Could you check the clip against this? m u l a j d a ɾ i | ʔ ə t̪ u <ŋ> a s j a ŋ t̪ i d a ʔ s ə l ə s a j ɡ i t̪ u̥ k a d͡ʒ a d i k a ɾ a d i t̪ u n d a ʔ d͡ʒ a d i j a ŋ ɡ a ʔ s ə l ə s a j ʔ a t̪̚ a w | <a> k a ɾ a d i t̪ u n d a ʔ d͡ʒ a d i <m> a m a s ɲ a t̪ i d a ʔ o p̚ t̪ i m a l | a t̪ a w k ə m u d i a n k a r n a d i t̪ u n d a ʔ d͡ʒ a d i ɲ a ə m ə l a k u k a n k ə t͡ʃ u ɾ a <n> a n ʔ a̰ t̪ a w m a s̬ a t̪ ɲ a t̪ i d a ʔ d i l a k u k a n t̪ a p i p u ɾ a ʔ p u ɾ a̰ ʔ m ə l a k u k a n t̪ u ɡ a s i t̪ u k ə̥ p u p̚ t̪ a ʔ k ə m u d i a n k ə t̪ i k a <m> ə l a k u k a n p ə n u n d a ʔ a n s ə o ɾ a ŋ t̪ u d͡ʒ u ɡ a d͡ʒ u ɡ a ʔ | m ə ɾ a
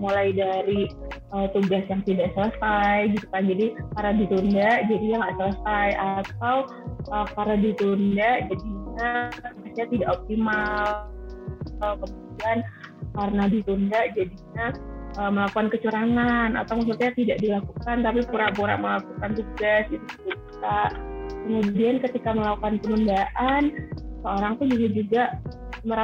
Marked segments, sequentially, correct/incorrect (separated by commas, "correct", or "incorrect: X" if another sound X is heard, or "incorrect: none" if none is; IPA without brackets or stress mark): incorrect: ɡ, incorrect: ə, incorrect: ɲ, incorrect: ŋ, correct